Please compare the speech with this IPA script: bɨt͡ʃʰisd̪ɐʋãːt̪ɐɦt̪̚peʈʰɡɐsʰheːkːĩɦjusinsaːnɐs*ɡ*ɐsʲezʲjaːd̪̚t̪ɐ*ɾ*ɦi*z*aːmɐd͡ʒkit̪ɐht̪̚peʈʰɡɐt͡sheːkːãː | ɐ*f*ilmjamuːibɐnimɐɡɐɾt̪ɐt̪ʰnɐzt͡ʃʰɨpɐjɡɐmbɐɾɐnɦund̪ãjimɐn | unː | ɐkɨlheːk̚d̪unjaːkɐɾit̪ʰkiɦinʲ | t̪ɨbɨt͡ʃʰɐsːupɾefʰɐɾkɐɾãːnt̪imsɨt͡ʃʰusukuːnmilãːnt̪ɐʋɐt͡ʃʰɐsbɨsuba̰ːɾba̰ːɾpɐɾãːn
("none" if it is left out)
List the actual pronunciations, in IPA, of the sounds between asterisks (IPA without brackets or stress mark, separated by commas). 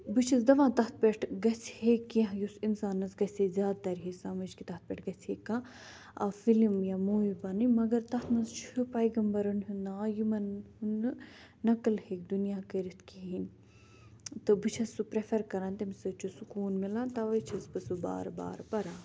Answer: ɡ, ɾ, s, f